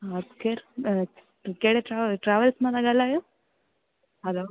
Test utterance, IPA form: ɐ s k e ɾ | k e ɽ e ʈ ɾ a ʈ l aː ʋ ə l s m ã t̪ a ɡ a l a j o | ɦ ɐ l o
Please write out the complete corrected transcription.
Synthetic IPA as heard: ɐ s k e ɾ | k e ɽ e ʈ ɾ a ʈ ɾ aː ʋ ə l s m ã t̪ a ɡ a l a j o | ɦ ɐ l o